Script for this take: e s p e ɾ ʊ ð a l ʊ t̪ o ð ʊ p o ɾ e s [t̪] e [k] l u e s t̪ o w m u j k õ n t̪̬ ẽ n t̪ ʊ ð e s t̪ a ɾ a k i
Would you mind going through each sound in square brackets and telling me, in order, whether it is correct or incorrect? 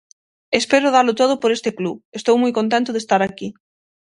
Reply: correct, correct

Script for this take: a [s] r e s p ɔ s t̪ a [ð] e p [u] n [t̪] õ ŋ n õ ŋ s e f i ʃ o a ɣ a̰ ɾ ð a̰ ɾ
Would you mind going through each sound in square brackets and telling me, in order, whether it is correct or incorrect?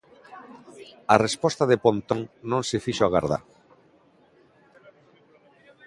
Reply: incorrect, correct, incorrect, correct

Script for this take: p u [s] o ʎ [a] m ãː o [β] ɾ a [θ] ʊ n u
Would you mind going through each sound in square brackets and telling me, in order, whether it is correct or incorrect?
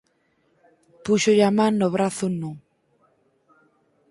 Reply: incorrect, correct, correct, correct

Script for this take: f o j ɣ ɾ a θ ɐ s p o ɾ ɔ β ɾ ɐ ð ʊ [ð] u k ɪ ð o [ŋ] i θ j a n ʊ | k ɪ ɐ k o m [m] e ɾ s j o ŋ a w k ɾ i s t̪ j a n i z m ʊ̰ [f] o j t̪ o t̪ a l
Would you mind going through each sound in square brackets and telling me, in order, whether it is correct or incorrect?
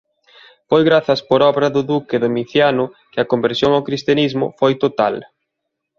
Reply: correct, incorrect, incorrect, correct

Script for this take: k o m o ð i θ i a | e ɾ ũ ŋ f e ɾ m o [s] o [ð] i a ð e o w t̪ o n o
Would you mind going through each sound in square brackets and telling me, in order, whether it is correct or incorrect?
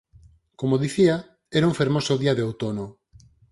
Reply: correct, correct

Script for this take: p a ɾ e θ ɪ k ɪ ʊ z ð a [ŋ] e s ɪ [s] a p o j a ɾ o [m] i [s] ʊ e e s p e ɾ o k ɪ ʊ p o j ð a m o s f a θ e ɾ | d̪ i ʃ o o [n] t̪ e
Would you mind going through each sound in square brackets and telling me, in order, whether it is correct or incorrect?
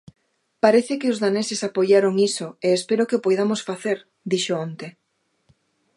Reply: incorrect, correct, incorrect, correct, correct

